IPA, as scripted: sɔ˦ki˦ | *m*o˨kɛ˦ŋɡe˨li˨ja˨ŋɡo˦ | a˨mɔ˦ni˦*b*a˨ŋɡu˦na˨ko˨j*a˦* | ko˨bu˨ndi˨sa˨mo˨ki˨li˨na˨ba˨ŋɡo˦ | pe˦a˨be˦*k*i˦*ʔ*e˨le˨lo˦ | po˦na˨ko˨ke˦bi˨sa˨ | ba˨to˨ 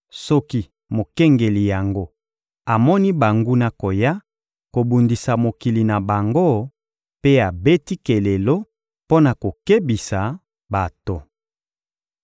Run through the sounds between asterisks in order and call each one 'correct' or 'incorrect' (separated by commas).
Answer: correct, correct, correct, incorrect, incorrect